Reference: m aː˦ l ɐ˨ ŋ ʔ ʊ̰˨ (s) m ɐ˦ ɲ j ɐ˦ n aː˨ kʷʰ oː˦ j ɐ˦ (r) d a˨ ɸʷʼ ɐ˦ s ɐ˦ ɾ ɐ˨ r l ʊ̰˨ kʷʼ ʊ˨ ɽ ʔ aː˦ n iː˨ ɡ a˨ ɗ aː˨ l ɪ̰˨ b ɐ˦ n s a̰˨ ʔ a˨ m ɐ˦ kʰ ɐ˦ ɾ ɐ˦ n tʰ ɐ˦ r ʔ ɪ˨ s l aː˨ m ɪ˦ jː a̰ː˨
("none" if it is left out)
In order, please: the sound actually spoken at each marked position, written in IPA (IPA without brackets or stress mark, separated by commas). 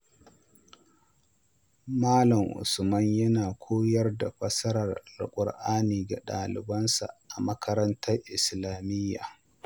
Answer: s, r